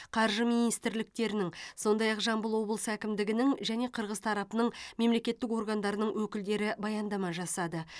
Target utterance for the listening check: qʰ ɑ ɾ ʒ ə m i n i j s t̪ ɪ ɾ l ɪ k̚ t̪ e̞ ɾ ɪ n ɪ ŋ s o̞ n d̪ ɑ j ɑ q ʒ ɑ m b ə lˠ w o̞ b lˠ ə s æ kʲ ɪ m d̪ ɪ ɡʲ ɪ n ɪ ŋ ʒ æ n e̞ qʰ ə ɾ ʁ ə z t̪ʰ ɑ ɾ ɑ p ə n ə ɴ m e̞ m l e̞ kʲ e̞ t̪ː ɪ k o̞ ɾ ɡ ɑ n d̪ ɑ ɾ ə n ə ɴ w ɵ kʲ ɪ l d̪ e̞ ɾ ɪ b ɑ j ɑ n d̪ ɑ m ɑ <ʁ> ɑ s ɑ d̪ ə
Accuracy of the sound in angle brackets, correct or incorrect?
incorrect: ʒ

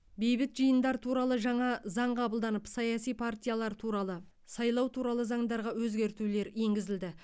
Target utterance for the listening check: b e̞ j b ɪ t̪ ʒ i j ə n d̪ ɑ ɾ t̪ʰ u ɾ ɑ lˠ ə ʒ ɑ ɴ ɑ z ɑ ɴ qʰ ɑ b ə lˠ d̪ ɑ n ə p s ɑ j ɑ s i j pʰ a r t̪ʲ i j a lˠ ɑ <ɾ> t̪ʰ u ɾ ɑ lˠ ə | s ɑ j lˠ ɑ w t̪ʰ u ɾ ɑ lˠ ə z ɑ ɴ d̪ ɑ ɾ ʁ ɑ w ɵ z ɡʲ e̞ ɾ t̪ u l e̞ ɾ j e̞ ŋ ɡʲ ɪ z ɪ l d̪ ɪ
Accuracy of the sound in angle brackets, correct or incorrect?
correct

